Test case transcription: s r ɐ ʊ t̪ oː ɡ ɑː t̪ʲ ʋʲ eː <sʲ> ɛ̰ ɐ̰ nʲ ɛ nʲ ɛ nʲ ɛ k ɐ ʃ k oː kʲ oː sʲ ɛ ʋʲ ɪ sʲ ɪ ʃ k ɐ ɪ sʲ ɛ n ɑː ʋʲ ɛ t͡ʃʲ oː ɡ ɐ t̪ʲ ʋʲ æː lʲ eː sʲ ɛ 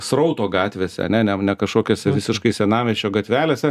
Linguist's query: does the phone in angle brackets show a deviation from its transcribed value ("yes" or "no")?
no